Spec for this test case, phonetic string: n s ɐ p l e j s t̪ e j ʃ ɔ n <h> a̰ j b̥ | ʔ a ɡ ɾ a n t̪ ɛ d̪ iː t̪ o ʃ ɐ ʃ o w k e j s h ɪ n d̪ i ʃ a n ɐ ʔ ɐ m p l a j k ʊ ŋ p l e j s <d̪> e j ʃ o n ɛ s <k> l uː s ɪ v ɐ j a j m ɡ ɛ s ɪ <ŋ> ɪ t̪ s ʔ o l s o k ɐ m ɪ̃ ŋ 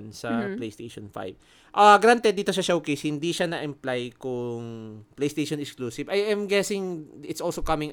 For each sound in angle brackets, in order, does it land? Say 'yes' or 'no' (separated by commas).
no, no, yes, yes